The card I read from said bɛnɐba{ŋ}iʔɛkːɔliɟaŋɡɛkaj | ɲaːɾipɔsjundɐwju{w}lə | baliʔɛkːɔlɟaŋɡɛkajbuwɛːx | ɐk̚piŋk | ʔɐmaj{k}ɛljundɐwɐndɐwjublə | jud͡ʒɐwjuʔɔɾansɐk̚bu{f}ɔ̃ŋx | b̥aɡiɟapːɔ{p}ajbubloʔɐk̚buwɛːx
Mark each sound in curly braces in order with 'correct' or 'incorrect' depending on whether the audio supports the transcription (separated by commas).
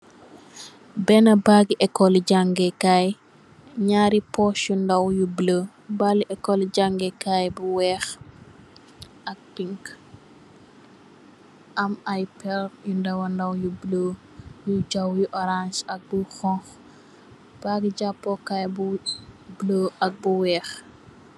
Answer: incorrect, incorrect, incorrect, incorrect, incorrect